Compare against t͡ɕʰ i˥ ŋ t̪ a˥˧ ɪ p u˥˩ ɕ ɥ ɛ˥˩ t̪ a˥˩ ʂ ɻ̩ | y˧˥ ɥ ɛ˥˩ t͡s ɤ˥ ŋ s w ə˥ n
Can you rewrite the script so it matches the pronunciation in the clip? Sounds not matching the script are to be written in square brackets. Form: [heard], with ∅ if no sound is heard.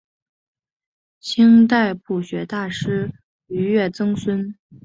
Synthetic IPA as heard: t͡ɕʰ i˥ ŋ t̪ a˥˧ ɪ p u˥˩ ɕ ɥ [ɛ˧˥] t̪ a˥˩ ʂ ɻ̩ | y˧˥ ɥ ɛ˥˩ t͡s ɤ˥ ŋ s w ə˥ n